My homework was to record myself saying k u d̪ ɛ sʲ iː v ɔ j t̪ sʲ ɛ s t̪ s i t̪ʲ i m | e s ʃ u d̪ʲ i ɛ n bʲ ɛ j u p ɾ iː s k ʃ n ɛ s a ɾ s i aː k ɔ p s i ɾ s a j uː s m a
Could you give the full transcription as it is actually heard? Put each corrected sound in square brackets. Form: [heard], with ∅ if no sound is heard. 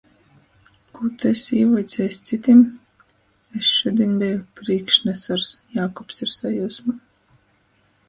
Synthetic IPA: k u [t̪] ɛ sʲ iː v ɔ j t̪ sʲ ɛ s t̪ s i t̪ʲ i m | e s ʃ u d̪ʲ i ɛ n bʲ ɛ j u p ɾ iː [∅] k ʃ n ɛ s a ɾ s [j] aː k ɔ p s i ɾ s a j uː s m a